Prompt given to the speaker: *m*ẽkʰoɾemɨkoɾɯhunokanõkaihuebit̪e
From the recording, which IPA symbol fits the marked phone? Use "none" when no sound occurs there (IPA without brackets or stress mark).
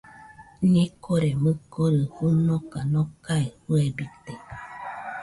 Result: ɲ